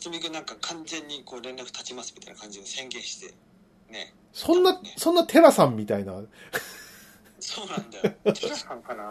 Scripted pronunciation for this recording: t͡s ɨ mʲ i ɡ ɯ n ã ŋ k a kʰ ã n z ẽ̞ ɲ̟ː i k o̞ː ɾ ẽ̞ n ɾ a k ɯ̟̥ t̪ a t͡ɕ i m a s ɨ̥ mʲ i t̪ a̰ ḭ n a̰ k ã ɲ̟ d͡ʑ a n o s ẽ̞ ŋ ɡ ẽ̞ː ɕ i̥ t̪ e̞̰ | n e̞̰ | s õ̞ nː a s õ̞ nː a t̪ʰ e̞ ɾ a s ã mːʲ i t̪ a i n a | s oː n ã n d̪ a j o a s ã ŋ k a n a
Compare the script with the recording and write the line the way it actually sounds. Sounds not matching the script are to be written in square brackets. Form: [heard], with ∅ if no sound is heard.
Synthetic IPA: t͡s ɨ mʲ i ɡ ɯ n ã ŋ k a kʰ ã n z ẽ̞ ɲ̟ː i k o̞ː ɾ ẽ̞ n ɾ a k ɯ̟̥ t̪ a t͡ɕ i m a s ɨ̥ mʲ i t̪ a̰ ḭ n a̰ k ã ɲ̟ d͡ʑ [i] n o s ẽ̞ ŋ ɡ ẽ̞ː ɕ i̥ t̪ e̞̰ | n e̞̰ | s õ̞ nː a s õ̞ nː a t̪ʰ e̞ ɾ a s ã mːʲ i t̪ a i n a | s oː n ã n d̪ a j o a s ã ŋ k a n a